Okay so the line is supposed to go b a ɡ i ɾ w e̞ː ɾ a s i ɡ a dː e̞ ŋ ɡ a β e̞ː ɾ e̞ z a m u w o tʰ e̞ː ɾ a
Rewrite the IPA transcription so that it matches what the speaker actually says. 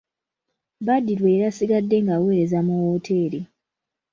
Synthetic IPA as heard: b a d i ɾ w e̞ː ɾ a s i ɡ a dː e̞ ŋ ɡ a w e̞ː ɾ e̞ z a m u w o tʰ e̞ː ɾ i